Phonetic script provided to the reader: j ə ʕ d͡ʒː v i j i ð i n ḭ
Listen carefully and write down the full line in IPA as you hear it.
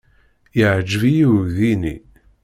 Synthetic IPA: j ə ʕ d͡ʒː v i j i ð i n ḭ